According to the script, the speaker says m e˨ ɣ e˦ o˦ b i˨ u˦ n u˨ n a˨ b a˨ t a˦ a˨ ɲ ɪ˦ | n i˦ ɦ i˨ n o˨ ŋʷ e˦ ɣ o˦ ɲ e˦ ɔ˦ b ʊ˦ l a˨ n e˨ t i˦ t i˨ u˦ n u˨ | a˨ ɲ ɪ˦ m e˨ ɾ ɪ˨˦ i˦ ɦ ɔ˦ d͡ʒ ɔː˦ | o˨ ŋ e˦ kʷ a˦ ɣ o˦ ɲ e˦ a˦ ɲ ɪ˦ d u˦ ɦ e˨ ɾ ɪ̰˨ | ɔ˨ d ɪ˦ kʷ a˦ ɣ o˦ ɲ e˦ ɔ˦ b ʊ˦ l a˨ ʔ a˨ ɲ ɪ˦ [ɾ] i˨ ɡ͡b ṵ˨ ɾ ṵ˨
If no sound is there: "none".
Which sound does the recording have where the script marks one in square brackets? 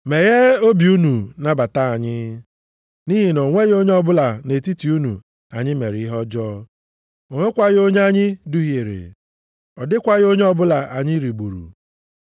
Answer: ɾ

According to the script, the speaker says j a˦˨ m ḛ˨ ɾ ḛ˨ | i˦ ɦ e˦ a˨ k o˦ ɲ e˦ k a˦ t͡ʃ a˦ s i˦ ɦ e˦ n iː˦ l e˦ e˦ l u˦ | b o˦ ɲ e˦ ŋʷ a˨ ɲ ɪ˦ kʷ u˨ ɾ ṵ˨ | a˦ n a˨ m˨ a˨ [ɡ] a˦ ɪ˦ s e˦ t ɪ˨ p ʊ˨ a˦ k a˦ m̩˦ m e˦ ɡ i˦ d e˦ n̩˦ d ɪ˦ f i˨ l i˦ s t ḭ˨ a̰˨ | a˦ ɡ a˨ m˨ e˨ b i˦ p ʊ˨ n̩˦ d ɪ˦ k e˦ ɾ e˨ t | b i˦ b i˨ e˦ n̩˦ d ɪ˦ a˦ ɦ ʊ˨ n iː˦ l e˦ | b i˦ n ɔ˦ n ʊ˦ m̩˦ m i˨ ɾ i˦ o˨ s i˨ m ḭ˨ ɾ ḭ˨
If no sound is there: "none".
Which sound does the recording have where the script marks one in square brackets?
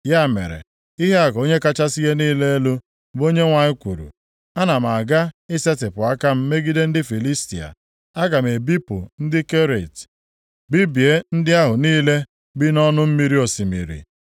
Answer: ɡ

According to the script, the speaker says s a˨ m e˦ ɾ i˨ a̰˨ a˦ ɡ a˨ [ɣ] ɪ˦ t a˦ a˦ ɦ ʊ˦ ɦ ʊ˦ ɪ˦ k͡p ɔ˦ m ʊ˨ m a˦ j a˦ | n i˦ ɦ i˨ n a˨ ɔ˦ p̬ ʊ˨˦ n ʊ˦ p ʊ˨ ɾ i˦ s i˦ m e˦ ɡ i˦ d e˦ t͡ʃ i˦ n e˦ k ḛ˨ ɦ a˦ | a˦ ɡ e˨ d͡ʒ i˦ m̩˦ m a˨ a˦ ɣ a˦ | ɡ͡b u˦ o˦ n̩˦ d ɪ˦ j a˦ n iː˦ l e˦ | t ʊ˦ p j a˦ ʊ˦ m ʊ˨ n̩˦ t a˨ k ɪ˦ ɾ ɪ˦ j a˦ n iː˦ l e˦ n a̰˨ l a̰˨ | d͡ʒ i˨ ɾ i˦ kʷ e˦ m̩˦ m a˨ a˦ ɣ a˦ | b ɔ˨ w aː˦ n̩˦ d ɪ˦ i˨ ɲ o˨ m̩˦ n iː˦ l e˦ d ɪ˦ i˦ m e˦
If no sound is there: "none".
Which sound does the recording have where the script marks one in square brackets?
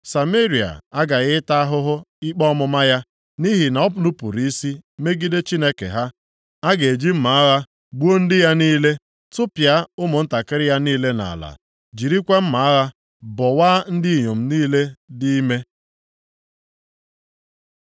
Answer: ɣ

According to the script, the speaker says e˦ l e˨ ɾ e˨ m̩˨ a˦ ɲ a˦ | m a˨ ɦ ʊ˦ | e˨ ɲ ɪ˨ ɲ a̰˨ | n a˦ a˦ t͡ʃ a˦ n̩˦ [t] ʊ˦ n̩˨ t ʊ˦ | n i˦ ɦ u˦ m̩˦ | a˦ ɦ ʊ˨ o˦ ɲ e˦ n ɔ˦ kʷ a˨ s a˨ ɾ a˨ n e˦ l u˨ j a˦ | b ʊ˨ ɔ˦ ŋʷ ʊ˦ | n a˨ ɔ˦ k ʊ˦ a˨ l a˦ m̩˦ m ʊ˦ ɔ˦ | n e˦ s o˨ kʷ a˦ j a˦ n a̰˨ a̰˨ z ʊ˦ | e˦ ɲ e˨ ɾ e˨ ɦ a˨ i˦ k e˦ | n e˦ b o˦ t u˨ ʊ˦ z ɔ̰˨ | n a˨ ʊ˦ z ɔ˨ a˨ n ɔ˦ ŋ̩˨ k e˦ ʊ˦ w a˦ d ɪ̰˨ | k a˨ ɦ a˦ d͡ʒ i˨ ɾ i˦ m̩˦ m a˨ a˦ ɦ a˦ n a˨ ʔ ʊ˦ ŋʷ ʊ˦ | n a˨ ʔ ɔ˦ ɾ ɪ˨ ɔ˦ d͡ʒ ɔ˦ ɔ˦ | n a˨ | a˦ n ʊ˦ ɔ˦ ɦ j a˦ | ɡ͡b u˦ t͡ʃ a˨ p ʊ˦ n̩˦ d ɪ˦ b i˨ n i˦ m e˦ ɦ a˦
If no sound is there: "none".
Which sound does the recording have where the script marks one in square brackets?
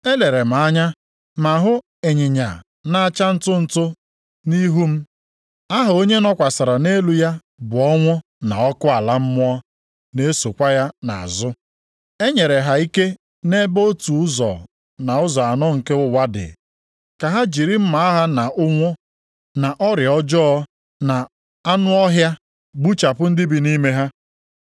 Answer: t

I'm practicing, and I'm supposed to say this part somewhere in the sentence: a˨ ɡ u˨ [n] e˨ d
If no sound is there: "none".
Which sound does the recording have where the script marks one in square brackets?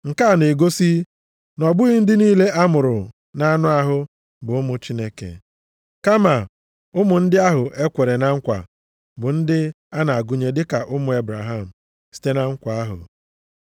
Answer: ɲ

